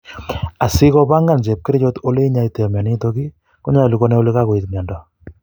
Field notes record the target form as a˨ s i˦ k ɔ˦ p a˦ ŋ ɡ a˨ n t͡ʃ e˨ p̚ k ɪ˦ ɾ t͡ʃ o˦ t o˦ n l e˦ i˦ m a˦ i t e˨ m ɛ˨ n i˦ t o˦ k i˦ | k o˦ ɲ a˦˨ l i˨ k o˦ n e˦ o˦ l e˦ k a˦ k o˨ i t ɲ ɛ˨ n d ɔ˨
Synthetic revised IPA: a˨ s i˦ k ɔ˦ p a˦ ŋ ɡ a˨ n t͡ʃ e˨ p̚ k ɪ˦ ɾ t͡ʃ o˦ t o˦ l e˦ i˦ ɲ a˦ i t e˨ m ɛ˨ n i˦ t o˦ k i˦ | k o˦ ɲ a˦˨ l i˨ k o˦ n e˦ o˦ l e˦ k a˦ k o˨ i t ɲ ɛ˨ n d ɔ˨